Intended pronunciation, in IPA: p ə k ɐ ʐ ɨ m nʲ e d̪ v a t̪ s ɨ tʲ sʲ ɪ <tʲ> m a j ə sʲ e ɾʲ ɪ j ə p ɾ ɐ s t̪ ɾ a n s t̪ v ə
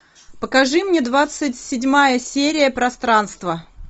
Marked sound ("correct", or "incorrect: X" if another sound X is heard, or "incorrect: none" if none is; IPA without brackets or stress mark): incorrect: dʲ